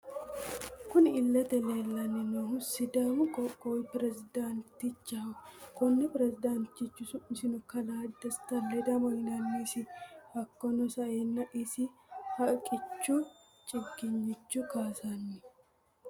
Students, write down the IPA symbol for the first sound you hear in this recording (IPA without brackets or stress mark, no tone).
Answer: k